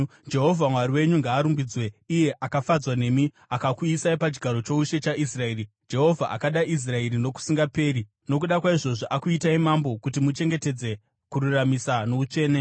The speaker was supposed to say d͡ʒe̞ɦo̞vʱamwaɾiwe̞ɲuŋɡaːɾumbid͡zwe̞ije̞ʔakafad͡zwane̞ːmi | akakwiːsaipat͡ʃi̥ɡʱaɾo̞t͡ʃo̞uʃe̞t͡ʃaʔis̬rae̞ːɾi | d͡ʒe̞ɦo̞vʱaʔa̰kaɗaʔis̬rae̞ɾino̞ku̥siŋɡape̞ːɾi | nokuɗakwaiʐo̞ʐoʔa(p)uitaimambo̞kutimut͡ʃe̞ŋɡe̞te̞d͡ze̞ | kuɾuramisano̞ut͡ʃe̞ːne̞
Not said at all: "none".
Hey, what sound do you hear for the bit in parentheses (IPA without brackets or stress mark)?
k